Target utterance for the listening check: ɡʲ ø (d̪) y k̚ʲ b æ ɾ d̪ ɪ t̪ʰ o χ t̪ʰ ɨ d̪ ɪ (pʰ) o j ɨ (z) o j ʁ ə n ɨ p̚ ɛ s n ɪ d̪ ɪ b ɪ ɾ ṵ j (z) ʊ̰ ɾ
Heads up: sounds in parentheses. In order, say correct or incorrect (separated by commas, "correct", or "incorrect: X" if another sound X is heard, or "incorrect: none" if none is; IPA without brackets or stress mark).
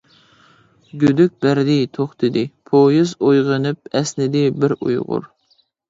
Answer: correct, correct, correct, incorrect: ʁ